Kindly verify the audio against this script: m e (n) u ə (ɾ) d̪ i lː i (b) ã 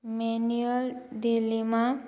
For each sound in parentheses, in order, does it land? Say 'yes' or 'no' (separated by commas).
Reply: yes, no, no